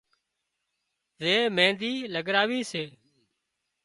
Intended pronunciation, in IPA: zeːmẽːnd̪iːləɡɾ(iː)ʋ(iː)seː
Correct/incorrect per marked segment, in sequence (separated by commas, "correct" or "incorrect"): incorrect, correct